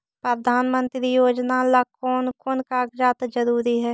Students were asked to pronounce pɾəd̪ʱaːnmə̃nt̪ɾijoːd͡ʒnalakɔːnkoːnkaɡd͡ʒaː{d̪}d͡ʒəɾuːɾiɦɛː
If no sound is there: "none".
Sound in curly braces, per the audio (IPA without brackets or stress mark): t̪